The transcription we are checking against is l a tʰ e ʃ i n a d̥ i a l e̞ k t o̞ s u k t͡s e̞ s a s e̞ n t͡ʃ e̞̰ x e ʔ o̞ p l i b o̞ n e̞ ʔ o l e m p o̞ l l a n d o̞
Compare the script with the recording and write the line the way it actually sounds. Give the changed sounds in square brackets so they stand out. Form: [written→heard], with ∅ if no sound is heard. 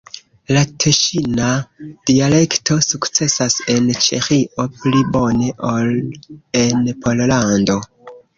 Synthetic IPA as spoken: l a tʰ e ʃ i n a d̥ i a l e̞ k t o̞ s u k t͡s e̞ s a s e̞ n t͡ʃ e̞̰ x [e→i] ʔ o̞ p l i b o̞ n e̞ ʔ o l e [m→n] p o̞ l l a n d o̞